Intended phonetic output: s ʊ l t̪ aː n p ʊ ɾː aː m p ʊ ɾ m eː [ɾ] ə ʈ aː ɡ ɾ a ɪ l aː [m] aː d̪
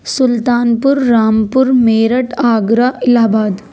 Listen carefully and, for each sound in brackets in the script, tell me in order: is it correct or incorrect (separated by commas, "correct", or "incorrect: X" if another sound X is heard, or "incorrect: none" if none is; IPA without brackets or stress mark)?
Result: correct, incorrect: b